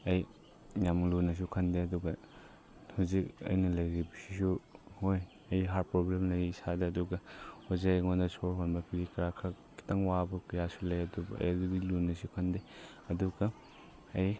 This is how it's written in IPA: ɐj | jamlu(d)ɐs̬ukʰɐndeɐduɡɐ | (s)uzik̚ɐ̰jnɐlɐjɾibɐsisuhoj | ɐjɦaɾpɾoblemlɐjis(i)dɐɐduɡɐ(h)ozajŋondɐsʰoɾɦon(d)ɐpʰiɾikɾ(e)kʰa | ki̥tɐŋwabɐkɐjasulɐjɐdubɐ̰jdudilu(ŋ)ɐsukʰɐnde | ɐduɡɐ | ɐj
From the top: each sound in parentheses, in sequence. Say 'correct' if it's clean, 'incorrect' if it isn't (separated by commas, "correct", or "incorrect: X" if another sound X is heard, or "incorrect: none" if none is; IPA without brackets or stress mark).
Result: incorrect: n, incorrect: h, incorrect: a, correct, incorrect: b, incorrect: a, incorrect: n